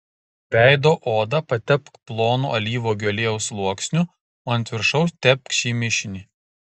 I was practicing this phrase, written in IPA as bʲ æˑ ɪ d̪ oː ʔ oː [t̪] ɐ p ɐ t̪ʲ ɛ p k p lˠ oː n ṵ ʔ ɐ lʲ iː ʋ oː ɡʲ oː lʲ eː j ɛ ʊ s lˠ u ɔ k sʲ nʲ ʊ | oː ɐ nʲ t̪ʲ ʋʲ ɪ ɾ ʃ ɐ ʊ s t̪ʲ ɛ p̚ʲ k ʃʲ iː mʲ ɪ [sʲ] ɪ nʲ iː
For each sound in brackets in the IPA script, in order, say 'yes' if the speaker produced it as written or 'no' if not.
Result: no, no

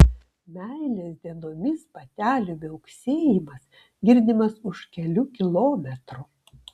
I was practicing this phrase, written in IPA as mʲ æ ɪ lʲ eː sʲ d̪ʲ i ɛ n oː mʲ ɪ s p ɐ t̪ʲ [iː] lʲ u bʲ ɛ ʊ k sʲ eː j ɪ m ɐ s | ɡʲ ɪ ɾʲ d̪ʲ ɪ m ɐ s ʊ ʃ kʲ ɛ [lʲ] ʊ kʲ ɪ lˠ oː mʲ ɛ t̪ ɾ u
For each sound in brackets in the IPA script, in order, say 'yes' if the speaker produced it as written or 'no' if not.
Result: no, yes

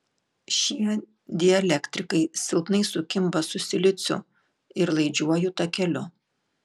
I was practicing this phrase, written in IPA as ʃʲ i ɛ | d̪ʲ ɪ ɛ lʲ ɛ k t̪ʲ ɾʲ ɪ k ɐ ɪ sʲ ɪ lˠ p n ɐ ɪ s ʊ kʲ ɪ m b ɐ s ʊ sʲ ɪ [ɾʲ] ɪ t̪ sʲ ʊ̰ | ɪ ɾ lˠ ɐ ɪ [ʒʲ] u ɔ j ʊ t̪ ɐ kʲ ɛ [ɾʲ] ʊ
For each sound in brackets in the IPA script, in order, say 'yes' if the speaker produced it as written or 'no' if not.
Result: no, no, no

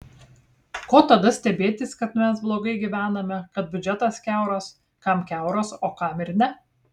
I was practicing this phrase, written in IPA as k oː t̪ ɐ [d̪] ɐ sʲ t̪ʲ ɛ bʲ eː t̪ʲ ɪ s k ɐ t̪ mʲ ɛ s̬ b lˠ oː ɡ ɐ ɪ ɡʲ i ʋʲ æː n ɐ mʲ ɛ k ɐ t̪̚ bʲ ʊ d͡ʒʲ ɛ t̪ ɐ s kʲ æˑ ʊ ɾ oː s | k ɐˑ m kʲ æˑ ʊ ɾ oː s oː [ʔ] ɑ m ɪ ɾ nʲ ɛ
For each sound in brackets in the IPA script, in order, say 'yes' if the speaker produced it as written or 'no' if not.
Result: yes, no

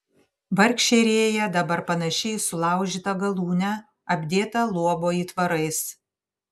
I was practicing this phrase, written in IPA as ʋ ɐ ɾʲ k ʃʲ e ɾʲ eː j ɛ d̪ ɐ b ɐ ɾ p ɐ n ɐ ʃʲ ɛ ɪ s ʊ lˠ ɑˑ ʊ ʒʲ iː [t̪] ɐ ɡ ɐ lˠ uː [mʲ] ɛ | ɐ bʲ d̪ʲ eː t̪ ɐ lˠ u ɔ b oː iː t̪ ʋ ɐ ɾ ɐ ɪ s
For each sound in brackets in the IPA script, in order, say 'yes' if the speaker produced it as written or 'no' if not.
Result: yes, no

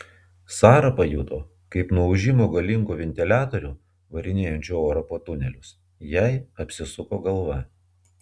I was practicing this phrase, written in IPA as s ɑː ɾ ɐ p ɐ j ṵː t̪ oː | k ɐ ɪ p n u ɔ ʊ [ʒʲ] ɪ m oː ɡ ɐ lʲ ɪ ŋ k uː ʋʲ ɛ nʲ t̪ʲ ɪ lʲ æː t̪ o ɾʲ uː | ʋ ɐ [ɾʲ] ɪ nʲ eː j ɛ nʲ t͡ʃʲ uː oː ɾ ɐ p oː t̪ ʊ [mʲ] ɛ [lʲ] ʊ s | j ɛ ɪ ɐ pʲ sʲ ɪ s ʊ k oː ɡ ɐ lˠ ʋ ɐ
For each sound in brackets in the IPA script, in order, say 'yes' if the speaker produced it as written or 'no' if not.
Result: yes, yes, no, yes

